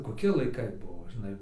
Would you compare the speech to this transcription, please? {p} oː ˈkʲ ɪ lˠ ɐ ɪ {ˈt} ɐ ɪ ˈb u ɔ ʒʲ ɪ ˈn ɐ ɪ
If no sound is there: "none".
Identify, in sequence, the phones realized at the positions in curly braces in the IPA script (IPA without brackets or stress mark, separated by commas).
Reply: k, k